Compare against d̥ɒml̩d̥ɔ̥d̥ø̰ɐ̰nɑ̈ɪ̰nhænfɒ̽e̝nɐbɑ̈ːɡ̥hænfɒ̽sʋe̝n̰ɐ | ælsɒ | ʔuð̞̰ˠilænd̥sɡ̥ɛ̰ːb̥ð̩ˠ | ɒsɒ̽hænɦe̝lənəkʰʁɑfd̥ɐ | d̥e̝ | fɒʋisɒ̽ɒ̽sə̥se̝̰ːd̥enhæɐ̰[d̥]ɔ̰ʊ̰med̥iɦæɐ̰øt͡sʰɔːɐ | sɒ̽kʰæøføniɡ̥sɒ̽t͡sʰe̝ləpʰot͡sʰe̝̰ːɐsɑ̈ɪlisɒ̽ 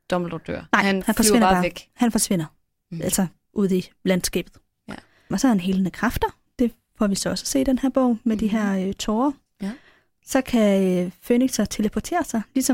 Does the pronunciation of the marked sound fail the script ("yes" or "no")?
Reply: yes